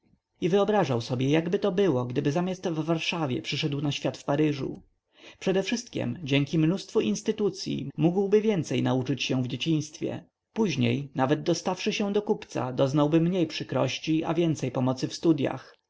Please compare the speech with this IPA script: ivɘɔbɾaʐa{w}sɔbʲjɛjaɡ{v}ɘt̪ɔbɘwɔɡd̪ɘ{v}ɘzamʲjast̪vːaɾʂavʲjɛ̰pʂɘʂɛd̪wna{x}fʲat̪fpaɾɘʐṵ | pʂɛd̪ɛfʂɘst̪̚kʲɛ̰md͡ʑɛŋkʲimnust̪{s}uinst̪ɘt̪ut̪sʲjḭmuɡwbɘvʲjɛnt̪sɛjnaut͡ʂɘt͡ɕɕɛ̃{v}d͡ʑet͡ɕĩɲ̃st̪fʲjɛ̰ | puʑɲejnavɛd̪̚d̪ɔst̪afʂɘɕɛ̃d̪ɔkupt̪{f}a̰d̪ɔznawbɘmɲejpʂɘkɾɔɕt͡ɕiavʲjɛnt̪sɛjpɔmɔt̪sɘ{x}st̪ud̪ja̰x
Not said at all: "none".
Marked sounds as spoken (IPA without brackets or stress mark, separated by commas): w, b, b, ɕ, f, v, s, f